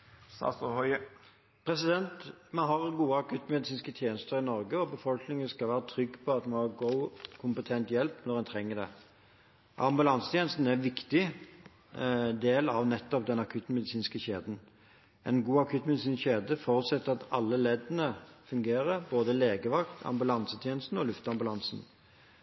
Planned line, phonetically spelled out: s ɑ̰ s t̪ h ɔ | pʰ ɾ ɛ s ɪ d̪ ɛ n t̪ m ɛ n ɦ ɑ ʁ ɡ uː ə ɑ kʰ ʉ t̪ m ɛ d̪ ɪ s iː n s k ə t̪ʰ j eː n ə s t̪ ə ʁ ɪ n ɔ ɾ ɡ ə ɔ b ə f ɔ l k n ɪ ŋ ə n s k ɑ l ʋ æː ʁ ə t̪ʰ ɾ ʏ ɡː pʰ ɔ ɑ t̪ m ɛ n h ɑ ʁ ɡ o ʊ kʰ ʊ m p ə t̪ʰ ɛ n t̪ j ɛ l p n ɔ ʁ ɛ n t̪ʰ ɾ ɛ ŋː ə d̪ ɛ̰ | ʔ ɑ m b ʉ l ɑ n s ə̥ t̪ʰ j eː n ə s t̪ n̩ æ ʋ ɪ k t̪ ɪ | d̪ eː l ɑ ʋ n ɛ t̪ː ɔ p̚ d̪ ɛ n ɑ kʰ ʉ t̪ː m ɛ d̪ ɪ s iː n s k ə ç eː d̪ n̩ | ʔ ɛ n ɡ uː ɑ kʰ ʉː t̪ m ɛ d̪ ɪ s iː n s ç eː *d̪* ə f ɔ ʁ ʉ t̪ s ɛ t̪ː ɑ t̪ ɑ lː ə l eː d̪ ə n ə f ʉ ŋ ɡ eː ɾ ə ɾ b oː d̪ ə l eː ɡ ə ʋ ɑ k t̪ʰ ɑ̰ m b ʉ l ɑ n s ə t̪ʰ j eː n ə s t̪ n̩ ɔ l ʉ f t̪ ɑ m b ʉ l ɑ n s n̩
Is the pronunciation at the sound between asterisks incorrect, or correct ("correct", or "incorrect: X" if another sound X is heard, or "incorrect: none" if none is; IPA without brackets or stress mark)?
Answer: correct